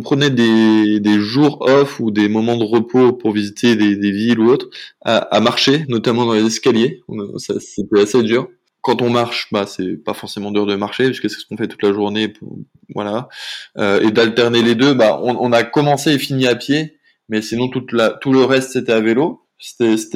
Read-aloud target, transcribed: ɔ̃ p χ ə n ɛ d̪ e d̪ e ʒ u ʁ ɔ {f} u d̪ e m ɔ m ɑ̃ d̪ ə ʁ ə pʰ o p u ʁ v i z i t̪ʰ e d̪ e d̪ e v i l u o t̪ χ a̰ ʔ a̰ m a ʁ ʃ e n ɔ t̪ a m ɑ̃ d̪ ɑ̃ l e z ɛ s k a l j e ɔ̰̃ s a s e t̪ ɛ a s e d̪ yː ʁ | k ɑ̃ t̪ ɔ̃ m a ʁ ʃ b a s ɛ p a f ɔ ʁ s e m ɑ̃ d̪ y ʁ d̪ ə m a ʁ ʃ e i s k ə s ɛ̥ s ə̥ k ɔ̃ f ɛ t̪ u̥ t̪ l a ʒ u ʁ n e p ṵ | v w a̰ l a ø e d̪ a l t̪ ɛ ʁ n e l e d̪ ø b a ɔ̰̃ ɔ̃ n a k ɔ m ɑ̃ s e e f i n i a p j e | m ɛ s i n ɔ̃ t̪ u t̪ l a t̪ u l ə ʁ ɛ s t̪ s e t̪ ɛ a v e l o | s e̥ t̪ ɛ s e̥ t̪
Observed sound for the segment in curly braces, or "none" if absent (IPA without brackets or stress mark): f